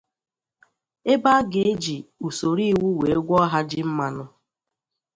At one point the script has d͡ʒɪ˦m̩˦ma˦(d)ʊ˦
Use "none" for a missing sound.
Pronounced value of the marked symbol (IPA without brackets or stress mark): n